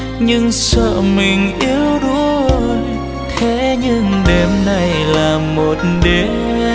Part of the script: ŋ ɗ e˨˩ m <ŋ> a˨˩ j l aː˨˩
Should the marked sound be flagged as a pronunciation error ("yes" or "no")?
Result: yes